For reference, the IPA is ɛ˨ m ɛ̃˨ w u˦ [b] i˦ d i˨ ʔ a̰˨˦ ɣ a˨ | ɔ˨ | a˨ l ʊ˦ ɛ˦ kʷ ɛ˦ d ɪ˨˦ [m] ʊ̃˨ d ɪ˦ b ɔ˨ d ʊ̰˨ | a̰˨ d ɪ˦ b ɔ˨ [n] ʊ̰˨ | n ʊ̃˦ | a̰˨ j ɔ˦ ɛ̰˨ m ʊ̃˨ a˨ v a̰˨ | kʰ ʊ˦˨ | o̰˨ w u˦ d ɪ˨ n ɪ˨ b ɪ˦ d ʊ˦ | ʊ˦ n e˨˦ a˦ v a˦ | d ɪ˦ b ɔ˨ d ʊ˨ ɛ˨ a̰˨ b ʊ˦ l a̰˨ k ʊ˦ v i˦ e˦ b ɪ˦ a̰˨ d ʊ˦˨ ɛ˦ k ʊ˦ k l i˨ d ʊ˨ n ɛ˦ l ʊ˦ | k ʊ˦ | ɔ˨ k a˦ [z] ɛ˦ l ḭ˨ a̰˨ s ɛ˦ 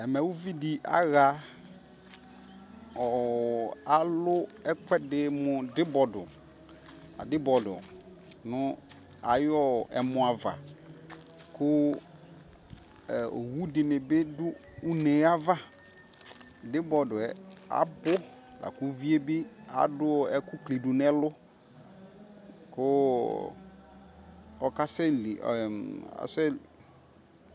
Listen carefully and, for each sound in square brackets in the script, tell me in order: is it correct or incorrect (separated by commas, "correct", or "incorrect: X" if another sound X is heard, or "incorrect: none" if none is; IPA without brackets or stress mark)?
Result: incorrect: v, correct, incorrect: d, incorrect: s